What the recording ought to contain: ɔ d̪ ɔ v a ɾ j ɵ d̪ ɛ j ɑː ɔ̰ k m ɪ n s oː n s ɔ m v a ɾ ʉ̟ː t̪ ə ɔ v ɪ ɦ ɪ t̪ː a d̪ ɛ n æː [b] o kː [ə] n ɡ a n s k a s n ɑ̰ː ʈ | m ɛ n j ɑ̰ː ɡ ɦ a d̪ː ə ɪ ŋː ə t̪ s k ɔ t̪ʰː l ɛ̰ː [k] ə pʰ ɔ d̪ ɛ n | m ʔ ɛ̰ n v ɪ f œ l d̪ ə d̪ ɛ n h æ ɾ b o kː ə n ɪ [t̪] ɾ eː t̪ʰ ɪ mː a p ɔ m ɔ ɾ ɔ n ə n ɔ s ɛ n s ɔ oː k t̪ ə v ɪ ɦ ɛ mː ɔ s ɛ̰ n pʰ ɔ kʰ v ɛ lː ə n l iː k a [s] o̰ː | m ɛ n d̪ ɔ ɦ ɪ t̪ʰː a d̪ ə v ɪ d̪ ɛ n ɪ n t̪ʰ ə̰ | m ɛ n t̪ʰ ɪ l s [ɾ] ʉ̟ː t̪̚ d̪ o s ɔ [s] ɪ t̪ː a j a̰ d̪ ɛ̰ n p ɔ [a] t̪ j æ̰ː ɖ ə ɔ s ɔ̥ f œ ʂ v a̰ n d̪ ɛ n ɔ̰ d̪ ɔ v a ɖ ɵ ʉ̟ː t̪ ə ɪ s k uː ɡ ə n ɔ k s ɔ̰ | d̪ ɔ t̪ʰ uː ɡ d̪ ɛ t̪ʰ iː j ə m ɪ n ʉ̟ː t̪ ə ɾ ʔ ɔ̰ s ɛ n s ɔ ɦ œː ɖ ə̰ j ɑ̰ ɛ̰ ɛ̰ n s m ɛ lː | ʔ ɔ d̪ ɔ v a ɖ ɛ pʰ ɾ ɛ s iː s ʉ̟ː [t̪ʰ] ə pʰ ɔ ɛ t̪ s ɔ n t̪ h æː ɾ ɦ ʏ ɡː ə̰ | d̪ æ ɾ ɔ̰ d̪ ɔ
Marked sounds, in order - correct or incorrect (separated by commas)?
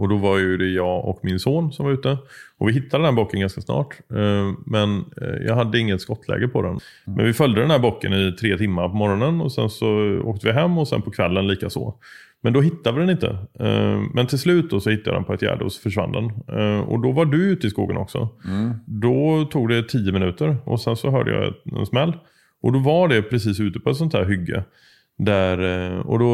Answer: correct, correct, incorrect, incorrect, correct, incorrect, incorrect, incorrect, incorrect